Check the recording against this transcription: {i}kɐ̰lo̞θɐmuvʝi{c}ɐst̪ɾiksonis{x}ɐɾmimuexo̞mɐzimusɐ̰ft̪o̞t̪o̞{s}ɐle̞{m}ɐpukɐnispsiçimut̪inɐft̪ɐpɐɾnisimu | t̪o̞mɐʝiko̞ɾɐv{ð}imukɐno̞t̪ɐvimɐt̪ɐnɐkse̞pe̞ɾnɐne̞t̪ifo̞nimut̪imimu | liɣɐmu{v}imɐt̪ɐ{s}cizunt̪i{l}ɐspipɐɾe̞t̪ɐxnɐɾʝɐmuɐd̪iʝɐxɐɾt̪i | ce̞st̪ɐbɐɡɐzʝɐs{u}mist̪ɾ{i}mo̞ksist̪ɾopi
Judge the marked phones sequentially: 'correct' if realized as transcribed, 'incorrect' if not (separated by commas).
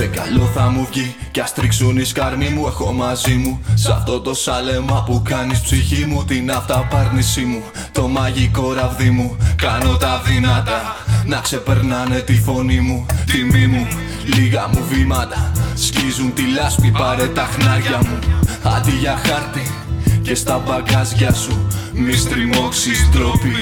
incorrect, correct, incorrect, correct, correct, correct, correct, correct, correct, correct, correct